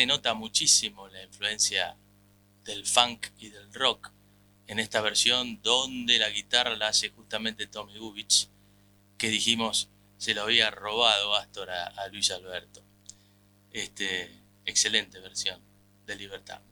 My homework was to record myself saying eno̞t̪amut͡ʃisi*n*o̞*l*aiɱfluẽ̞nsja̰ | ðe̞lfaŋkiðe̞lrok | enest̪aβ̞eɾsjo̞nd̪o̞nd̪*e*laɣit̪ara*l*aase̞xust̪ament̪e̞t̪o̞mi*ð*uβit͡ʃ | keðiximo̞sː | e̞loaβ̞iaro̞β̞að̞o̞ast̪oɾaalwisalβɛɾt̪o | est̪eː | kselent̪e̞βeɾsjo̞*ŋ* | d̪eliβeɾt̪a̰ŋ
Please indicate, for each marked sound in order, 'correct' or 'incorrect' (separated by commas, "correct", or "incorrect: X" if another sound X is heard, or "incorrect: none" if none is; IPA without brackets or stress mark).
incorrect: m, correct, correct, correct, incorrect: ɣ, incorrect: n